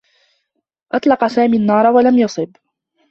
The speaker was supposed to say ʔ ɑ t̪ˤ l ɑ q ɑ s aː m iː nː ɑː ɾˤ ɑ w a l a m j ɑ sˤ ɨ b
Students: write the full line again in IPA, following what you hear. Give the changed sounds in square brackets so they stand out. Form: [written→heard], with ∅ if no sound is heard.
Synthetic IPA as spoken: ʔ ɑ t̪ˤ l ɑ q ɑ s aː m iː nː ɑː ɾˤ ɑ w a l a m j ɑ sˤ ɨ b